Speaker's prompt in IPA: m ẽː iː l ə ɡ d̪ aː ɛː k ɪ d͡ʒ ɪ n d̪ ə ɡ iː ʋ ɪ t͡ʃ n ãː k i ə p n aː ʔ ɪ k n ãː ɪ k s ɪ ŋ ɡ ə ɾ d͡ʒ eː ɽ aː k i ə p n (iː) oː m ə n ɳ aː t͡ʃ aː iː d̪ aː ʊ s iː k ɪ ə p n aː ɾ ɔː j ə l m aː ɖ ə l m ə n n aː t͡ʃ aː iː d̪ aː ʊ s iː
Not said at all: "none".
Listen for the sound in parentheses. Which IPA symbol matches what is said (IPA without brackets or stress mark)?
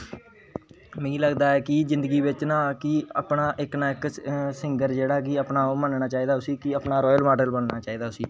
aː